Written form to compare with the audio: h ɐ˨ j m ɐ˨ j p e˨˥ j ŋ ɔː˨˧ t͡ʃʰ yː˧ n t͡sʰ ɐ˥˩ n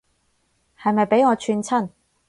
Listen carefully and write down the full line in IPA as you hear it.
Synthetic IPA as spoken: h ɐ˨ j m ɐ˨ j p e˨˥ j ŋ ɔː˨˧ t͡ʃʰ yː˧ n t͡sʰ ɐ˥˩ n

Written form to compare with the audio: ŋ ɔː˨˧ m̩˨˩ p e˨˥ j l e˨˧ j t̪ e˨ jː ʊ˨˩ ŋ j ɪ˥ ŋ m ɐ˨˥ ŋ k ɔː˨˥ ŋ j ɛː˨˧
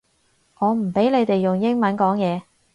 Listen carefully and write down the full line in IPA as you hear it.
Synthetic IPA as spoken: ŋ ɔː˨˧ m̩˨˩ p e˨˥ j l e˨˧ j t̪ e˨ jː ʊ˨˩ ŋ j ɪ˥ ŋ m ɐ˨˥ n k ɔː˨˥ ŋ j ɛː˨˧

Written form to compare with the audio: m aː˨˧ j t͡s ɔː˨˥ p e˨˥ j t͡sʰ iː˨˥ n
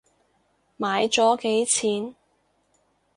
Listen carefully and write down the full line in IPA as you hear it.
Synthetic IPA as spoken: m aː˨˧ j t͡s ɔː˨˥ k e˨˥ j t͡sʰ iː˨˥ n

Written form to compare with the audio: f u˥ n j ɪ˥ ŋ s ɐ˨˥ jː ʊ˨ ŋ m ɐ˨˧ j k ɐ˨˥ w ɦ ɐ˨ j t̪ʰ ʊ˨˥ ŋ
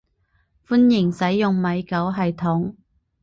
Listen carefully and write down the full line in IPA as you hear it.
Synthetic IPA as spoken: f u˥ n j ɪ˨˩ ŋ s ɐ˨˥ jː ʊ˨ ŋ m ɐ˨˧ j k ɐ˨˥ w ɦ ɐ˨ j t̪ʰ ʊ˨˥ ŋ

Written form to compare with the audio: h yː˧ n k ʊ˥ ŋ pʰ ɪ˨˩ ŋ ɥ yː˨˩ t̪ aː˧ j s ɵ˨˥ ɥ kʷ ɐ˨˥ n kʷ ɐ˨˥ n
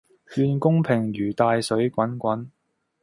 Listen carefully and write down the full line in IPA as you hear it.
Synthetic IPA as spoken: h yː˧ n k ʊ˥ ŋ pʰ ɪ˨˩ ŋ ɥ yː˨˩ t̪ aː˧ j s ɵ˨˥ ɥ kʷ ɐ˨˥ n kʷ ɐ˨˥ n

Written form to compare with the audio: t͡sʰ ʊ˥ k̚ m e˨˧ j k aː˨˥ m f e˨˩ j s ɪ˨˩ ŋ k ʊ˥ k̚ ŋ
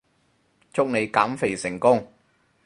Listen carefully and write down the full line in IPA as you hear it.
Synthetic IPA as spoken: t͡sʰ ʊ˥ k̚ n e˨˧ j k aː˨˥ m f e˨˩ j s ɪ˨˩ ŋ k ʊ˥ ŋ

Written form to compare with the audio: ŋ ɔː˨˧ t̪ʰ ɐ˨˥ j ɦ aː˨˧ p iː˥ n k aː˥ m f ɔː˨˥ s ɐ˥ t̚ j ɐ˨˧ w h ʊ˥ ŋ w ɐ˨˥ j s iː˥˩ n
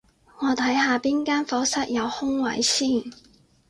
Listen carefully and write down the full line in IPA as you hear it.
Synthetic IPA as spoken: ŋ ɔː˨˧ t̪ʰ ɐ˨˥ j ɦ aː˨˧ p iː˥ n k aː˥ n f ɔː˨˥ s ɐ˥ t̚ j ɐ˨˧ w h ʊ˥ ŋ w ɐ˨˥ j s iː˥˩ n

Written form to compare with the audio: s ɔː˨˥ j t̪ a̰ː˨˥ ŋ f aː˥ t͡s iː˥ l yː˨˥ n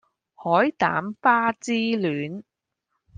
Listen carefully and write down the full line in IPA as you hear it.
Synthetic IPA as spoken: h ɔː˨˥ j t̪ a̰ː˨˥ m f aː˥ t͡s iː˥ l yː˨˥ n

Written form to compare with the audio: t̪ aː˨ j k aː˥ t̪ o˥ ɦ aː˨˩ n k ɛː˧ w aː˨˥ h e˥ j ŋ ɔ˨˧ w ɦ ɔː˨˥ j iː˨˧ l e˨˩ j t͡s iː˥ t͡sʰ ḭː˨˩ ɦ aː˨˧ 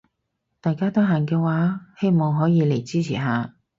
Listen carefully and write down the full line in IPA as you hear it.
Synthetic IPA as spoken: t̪ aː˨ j k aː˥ t̪ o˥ ɦ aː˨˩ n k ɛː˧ w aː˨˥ h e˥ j m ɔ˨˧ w ɦ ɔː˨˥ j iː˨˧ l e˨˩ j t͡s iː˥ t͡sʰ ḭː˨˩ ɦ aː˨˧

